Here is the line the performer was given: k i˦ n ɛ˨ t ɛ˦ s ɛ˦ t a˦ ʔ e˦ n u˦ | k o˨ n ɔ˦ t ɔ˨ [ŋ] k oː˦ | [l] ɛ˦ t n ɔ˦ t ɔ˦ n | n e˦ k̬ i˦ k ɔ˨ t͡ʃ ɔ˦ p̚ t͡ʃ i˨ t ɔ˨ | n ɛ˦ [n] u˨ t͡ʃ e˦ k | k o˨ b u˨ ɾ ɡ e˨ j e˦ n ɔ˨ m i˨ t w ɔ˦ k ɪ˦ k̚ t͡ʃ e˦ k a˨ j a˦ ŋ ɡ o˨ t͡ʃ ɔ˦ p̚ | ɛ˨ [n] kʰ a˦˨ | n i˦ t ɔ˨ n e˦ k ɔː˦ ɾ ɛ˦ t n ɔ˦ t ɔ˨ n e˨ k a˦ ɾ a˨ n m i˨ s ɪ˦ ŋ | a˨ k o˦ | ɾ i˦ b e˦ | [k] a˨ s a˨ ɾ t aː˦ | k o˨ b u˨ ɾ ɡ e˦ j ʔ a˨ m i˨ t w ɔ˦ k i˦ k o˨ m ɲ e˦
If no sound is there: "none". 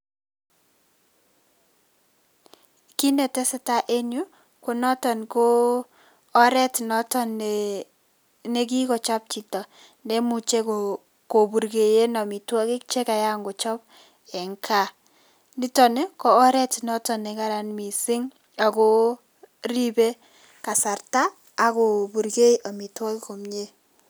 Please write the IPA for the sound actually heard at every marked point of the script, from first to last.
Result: n, ɾ, m, ŋ, k

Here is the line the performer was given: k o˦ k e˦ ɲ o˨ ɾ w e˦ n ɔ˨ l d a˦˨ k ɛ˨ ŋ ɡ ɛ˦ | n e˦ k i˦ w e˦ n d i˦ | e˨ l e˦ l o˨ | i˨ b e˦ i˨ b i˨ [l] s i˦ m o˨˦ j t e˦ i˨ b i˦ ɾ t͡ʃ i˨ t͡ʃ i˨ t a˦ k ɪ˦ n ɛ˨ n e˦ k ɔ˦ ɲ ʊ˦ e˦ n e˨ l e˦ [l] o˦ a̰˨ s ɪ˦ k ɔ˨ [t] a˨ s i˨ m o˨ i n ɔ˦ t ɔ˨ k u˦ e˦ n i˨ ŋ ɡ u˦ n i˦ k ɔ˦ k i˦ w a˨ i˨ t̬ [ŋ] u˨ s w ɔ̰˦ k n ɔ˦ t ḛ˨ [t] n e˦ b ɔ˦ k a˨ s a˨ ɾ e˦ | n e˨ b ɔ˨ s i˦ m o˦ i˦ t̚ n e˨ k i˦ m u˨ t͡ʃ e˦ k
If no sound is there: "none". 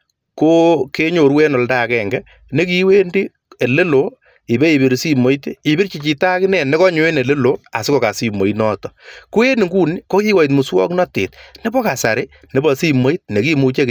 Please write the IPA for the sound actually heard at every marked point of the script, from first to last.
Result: ɾ, l, k, m, t

